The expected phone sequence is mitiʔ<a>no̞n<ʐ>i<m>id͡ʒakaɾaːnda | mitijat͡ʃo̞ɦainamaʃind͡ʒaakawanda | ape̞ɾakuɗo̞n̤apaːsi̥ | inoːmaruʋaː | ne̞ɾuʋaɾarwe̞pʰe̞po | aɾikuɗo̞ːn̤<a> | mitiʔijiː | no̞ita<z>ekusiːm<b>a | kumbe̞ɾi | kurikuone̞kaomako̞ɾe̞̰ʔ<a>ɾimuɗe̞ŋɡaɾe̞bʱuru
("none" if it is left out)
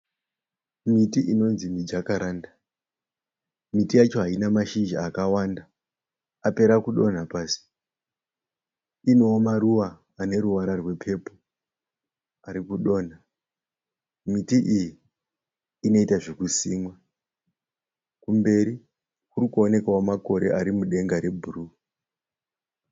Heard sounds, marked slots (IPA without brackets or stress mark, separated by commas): i, z, m, a, ʐ, w, a